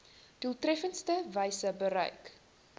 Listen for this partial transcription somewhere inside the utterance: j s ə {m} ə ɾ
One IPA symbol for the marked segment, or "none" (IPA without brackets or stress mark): b